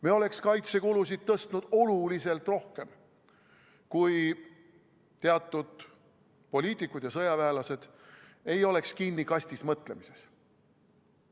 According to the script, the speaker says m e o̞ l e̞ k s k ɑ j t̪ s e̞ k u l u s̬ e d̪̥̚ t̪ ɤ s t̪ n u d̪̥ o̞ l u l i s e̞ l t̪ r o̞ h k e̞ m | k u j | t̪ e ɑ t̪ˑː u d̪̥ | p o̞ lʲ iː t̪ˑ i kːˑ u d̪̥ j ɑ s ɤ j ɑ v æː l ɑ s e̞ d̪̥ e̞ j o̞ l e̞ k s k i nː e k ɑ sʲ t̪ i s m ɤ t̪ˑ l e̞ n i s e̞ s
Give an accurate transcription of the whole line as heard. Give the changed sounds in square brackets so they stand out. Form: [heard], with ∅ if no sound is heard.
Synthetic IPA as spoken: m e o̞ l e̞ k s k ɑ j t̪ s e̞ k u l u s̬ [i] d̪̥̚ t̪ ɤ s t̪ n u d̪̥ o̞ l u l i s e̞ l t̪ r o̞ h k e̞ m | k u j | t̪ e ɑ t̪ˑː u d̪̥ | p o̞ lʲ iː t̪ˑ i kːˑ u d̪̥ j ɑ s ɤ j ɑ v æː l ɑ s e̞ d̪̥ e̞ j o̞ l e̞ k s k i nː [i] k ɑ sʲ t̪ i s m ɤ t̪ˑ l e̞ [m] i s e̞ s